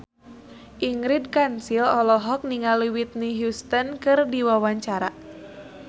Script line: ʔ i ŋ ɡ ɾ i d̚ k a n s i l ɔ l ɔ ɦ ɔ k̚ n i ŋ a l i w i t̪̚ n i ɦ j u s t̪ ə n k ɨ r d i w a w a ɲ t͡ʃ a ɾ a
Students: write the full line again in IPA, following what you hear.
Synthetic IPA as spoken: ʔ i ŋ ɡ ɾ i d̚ k a n s i l ɔ l ɔ ɦ ɔ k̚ n i ŋ a l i w i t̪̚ n i ɦ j u s t̪ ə n k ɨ r d i w a w a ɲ t͡ʃ a ɾ a